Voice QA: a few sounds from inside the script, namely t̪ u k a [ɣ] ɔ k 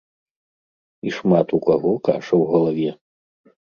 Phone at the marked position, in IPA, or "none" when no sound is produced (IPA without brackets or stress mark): ɣ